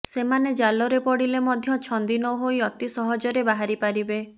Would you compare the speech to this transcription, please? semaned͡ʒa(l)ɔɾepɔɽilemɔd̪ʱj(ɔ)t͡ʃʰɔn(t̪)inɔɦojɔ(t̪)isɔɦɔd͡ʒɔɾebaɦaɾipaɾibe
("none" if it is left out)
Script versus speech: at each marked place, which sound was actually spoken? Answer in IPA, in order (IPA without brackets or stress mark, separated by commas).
l, ɔ, d̪, t̪